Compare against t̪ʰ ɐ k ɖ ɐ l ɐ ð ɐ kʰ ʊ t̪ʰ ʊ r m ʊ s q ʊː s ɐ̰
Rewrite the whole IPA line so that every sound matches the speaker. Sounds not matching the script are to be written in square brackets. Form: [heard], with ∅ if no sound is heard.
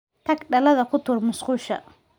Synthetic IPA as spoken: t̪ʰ ɐ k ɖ ɐ l ɐ ð ɐ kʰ ʊ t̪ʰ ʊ r m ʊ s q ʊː [ʃ] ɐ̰